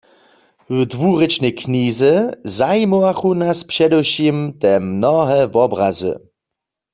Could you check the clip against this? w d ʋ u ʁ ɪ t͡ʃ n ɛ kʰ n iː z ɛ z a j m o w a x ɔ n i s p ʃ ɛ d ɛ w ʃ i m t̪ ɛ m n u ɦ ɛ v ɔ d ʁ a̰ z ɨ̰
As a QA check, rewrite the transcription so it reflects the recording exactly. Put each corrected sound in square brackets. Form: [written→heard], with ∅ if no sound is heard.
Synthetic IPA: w d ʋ u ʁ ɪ t͡ʃ n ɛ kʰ n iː z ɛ z a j m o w a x [ɔ→u] n [i→a] s p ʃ ɛ d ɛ w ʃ i m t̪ ɛ m n [u→ɔ] ɦ ɛ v ɔ [d→b] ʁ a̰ z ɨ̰